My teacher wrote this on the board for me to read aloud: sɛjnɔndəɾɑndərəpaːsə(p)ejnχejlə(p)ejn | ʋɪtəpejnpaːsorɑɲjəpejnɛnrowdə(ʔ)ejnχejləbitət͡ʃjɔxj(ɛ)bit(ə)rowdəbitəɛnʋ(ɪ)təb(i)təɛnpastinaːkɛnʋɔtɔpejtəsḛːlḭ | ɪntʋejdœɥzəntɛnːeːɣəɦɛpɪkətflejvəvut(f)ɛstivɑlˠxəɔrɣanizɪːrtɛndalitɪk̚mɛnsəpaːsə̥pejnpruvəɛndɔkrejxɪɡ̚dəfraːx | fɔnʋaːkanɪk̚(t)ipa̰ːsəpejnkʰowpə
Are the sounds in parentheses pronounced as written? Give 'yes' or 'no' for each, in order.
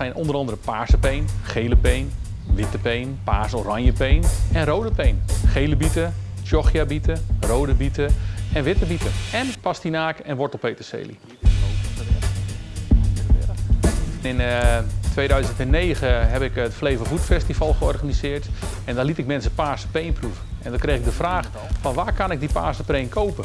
yes, yes, no, no, yes, yes, yes, yes, no

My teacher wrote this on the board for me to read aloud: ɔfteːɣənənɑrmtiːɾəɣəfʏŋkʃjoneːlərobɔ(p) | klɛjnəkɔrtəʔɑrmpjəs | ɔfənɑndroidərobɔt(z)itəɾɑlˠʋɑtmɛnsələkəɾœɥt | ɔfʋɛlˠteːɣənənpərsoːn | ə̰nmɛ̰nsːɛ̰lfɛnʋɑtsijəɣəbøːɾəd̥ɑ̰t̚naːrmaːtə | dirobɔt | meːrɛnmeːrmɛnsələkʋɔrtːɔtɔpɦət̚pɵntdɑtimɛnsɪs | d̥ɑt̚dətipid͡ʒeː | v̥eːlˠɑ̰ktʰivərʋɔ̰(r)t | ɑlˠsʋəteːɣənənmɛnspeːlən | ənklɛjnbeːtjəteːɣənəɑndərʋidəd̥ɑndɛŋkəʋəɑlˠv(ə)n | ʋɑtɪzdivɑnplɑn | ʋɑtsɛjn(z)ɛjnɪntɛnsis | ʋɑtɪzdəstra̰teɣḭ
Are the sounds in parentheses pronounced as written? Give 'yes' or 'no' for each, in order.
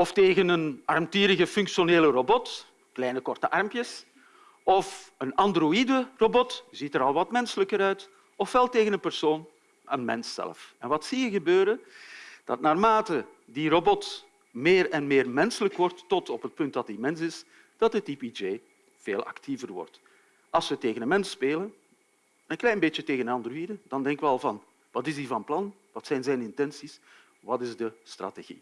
no, yes, yes, no, yes

